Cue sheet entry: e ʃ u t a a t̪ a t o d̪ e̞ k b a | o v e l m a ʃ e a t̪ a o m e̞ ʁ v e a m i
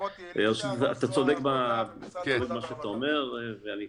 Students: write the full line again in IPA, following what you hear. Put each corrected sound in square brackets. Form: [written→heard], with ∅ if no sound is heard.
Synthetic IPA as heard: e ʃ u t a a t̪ a [t→t͡s] o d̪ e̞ k b a | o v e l m a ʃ e a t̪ a o m e̞ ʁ v e a [m→n] i